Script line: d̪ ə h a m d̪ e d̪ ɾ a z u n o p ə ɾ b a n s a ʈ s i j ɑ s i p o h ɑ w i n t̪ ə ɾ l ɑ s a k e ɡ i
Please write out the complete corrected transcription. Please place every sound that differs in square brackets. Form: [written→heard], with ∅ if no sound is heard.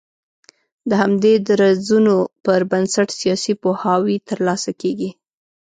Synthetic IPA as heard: d̪ ə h a m d̪ e d̪ ɾ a z u n o p ə ɾ b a n s a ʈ s i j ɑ s i p o h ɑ w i [n→∅] t̪ ə ɾ l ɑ s a k e ɡ i